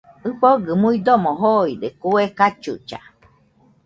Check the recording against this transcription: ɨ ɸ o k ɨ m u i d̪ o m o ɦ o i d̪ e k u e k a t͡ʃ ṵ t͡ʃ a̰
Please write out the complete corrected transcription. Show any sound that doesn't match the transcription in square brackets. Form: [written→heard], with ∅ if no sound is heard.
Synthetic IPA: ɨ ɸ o [k→ɡ] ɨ m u i d̪ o m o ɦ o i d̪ e k u e k a t͡ʃ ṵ t͡ʃ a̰